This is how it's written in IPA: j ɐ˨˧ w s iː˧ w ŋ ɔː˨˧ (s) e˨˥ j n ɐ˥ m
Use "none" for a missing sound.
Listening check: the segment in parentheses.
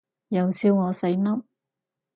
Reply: s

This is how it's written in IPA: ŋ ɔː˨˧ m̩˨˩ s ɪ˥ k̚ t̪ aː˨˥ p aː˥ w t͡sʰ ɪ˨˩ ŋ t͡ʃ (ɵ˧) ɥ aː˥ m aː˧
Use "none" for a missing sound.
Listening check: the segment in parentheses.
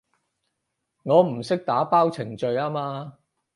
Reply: ɵ˧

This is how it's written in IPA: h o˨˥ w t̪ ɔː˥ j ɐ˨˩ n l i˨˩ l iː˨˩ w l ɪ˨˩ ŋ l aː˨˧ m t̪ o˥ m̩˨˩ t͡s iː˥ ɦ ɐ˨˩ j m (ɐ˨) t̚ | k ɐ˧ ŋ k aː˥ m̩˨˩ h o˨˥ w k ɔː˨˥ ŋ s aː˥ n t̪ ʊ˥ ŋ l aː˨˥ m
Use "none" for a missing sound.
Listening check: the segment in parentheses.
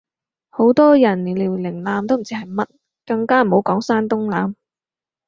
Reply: ɐ˥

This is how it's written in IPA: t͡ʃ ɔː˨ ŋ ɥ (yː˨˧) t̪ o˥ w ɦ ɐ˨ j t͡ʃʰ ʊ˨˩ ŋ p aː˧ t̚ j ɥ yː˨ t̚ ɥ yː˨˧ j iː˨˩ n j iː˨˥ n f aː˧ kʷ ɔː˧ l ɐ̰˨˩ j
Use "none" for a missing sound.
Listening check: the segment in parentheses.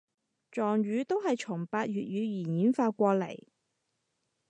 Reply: yː˨˧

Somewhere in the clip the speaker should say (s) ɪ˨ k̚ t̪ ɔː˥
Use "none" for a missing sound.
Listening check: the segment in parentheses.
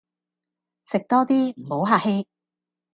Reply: s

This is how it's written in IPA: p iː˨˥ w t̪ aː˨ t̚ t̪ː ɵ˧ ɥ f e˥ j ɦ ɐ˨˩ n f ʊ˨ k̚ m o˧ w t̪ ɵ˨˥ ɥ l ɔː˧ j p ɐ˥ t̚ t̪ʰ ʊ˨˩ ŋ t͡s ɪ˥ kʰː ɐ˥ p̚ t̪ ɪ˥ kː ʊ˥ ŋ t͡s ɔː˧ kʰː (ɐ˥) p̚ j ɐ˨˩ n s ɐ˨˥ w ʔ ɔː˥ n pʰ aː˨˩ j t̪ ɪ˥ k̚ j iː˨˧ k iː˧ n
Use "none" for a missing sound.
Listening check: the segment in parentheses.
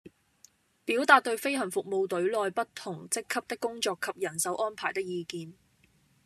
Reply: ɐ˨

